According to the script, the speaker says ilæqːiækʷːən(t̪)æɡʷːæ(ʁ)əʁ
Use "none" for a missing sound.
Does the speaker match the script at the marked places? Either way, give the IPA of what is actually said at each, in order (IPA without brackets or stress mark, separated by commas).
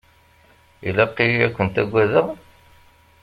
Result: t̪, ð